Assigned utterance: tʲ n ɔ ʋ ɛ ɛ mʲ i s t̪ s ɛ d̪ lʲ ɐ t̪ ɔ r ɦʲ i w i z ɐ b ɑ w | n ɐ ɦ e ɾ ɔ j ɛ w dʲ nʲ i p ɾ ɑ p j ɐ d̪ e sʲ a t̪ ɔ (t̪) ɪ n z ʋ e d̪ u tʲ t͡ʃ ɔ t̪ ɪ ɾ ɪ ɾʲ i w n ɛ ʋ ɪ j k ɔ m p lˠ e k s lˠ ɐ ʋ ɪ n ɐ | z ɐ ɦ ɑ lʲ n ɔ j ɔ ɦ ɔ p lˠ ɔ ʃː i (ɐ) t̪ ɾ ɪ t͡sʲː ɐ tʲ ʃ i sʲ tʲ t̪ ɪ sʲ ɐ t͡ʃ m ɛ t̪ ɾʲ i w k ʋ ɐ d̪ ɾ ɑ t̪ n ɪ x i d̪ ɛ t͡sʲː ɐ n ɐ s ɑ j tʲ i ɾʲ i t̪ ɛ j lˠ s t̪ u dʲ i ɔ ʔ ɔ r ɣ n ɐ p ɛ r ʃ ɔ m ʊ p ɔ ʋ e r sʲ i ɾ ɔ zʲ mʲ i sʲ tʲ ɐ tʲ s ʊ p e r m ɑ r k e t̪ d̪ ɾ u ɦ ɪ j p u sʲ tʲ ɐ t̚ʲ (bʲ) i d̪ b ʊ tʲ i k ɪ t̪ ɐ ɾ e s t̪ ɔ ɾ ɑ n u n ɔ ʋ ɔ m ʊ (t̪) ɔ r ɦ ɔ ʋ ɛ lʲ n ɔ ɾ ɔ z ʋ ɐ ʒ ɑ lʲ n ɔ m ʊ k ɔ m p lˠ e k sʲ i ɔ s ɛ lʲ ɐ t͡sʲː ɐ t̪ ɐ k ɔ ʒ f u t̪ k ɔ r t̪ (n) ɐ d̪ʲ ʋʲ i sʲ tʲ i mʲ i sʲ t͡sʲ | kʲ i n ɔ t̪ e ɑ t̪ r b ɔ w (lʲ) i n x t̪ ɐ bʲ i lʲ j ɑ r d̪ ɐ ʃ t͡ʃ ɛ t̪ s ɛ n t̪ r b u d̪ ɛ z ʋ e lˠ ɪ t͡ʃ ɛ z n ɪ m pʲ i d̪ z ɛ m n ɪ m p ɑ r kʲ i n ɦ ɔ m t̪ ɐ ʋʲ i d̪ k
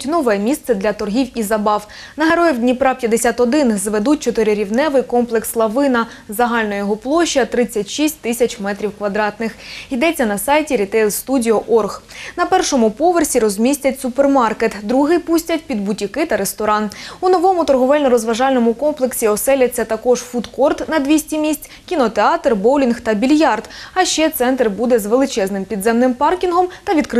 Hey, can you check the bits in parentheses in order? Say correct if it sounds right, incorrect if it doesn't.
incorrect: d̪, correct, incorrect: pʲ, correct, correct, correct

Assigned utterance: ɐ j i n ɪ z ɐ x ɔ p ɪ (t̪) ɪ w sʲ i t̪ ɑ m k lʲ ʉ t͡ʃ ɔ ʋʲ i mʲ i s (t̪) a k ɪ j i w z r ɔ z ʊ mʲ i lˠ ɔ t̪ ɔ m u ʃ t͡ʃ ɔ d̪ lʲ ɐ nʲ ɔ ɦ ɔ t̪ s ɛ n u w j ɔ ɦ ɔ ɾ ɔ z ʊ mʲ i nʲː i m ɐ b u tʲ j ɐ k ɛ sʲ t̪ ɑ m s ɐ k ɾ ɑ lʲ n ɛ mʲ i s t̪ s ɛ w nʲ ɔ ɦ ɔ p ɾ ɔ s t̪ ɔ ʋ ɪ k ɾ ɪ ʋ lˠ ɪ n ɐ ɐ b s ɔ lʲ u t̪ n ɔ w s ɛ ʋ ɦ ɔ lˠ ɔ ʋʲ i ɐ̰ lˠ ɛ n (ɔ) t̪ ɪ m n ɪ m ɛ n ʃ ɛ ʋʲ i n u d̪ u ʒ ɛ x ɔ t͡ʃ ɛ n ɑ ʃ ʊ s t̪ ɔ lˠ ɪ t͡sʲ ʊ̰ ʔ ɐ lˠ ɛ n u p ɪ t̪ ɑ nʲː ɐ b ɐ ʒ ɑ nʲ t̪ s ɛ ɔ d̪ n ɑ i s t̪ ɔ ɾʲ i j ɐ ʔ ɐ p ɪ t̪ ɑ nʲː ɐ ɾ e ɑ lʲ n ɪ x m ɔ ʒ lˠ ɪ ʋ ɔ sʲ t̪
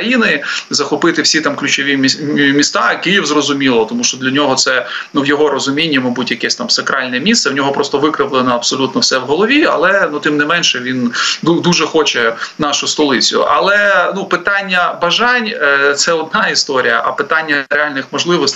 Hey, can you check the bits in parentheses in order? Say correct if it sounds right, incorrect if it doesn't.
correct, correct, incorrect: u

